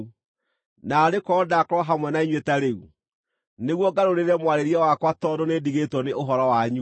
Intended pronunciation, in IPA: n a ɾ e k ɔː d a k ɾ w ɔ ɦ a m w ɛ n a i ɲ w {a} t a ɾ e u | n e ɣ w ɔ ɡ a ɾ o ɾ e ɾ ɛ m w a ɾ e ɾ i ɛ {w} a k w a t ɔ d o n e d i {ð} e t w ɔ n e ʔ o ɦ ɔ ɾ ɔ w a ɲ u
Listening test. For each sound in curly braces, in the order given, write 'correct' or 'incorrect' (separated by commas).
incorrect, correct, incorrect